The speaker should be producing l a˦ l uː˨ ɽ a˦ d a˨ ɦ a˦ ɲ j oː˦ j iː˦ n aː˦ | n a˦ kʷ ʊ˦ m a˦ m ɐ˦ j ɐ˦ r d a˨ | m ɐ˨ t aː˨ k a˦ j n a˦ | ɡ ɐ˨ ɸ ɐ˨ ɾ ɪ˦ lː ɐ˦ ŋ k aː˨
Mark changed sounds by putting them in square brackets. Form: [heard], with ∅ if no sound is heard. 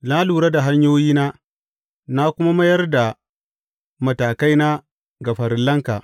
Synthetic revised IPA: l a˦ l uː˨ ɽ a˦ d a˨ ɦ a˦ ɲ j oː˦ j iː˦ n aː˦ | n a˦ kʷ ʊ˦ m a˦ m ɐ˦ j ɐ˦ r d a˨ | m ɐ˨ t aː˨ k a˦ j n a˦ | ɡ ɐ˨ ɸ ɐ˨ ɾ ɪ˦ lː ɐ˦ ŋ k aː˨